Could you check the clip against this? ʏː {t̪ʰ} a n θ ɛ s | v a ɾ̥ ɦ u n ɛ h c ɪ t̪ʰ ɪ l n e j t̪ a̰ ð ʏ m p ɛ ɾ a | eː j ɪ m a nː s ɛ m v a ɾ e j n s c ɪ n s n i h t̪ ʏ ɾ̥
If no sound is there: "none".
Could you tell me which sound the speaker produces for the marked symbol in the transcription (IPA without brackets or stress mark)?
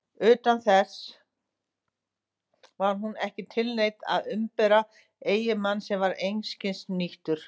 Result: t̪